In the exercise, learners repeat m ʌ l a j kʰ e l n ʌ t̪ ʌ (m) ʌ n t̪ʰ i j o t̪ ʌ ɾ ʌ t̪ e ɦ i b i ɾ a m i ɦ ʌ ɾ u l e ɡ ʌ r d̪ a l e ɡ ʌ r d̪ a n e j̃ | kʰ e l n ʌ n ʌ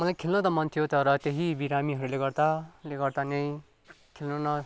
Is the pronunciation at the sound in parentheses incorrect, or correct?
correct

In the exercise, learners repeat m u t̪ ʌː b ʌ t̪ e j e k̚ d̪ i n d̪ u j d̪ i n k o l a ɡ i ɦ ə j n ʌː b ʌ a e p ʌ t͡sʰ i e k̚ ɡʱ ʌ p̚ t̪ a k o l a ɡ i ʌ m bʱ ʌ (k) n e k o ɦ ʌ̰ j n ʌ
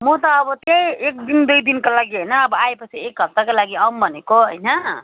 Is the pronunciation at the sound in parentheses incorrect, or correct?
incorrect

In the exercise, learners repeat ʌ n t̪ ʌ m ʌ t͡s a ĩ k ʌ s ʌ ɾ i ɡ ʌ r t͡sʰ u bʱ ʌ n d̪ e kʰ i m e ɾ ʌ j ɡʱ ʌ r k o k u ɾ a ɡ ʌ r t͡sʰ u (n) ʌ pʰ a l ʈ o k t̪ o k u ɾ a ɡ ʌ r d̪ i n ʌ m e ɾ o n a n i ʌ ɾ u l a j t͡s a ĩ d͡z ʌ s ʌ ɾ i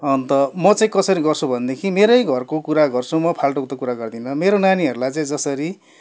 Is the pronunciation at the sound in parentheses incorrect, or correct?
incorrect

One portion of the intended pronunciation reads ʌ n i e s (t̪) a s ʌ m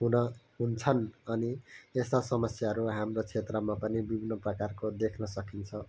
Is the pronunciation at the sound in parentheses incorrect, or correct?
correct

